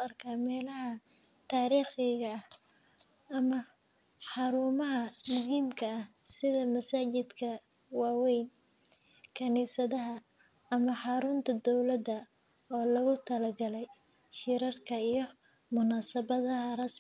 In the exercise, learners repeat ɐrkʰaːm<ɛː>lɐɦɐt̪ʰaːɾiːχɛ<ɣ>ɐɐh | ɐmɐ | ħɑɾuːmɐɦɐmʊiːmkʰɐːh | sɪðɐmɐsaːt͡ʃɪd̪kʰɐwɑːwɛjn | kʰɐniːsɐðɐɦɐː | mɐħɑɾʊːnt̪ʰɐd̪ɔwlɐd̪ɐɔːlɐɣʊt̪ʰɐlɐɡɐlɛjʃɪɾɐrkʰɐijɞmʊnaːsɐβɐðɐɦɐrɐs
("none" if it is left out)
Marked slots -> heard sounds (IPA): ɛː, ɣ

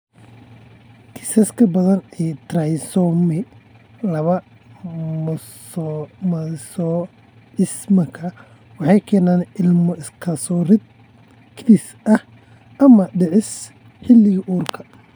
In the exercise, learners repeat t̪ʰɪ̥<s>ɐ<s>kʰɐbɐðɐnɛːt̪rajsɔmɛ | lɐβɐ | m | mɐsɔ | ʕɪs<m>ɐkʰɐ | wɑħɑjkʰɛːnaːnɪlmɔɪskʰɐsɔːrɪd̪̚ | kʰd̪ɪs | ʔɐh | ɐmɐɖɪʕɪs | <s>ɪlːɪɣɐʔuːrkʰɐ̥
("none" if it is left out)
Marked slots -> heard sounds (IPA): s, s, m, ħ

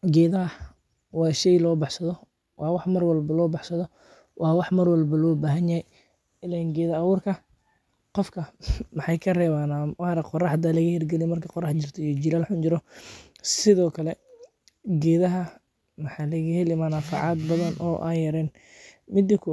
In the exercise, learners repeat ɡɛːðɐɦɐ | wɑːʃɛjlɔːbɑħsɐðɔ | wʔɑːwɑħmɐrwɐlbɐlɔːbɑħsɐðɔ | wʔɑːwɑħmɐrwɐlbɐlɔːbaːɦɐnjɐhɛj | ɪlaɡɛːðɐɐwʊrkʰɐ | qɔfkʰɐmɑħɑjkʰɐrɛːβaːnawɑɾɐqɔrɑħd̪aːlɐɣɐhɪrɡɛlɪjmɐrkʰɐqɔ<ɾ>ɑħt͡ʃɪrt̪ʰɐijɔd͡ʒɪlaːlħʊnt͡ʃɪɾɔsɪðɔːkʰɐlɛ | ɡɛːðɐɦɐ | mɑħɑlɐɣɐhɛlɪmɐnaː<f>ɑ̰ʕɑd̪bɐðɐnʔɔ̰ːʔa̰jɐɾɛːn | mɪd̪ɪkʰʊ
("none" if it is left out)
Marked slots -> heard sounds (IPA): r, f

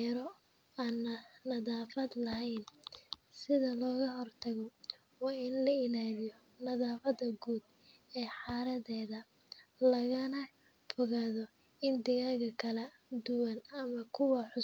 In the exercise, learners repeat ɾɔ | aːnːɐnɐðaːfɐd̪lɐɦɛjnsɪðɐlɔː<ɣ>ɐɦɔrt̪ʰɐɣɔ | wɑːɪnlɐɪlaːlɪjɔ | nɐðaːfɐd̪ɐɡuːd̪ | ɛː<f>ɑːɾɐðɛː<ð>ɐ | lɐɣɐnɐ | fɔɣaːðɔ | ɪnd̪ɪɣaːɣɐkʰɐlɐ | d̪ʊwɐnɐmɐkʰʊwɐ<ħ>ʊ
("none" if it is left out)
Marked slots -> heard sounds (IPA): ɣ, ħ, ð, ħ

